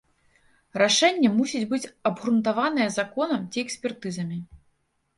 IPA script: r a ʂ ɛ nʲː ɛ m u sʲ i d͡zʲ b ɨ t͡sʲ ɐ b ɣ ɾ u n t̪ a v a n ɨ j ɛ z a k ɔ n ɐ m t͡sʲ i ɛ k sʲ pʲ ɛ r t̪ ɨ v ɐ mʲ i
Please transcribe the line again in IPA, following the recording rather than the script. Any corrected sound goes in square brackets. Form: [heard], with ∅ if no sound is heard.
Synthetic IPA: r a ʂ ɛ nʲː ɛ m u sʲ i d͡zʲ b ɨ t͡sʲ ɐ b ɣ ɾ u n t̪ a v a n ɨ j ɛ z a k ɔ n ɐ m t͡sʲ i ɛ k sʲ pʲ ɛ r t̪ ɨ [z] ɐ mʲ i